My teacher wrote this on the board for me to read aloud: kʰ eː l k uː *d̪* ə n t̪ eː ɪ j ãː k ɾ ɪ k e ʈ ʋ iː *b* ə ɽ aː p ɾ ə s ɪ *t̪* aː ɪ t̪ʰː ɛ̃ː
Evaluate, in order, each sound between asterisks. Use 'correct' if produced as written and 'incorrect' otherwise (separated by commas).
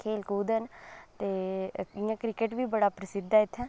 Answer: correct, correct, incorrect